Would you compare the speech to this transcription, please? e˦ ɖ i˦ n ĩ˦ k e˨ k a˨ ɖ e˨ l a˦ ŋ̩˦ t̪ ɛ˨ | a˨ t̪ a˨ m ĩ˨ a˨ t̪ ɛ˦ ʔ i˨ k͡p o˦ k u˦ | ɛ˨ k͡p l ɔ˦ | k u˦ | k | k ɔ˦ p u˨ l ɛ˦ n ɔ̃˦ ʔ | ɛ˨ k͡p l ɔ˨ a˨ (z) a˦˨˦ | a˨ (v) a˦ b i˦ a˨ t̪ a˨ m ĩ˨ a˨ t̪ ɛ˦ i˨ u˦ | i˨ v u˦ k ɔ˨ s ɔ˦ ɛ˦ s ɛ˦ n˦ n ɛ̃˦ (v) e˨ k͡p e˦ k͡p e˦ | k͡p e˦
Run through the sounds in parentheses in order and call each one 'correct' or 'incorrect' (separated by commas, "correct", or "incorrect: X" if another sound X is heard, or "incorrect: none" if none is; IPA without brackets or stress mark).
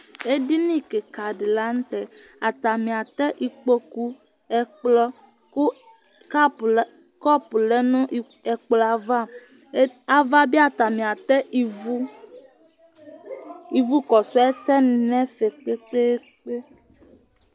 incorrect: v, correct, incorrect: f